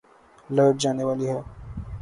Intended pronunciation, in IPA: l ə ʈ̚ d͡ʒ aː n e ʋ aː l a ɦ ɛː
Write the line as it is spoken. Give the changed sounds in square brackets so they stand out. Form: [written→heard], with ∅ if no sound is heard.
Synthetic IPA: l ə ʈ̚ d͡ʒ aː n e ʋ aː l [a→i] ɦ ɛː